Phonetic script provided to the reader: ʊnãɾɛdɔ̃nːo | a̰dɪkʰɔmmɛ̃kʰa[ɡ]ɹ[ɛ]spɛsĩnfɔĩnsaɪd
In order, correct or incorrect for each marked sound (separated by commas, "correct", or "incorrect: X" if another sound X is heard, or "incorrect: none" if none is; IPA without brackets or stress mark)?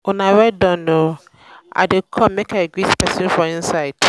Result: correct, incorrect: i